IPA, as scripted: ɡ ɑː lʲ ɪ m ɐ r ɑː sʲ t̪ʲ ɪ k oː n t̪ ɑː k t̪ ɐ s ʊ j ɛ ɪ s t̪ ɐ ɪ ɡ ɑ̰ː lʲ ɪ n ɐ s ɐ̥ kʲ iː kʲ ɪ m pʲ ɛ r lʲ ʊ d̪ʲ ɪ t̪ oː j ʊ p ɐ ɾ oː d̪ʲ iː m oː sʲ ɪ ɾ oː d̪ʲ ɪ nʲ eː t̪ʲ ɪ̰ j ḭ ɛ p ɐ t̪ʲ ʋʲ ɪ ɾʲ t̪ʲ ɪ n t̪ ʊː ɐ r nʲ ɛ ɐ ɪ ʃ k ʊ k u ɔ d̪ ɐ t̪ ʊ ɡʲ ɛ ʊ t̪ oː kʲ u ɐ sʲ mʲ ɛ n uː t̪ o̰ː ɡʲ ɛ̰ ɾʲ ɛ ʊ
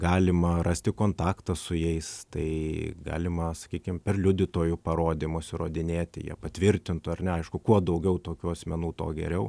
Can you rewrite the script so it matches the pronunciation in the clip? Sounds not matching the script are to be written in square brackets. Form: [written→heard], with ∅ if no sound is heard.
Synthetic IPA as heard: ɡ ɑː lʲ ɪ m ɐ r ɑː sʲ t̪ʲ ɪ k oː n t̪ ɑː k t̪ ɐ s ʊ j ɛ ɪ s t̪ ɐ ɪ ɡ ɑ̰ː lʲ ɪ [n→m] ɐ s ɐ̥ kʲ iː kʲ ɪ m pʲ ɛ r lʲ ʊ d̪ʲ ɪ t̪ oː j ʊ p ɐ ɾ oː d̪ʲ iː m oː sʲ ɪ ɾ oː d̪ʲ ɪ nʲ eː t̪ʲ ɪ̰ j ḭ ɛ p ɐ t̪ʲ ʋʲ ɪ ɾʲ t̪ʲ ɪ n t̪ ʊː ɐ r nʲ ɛ ɐ ɪ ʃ k ʊ k u ɔ d̪ ɐ [t̪→∅] ʊ ɡʲ ɛ ʊ t̪ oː kʲ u ɐ sʲ mʲ ɛ n uː t̪ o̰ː ɡʲ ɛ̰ ɾʲ ɛ ʊ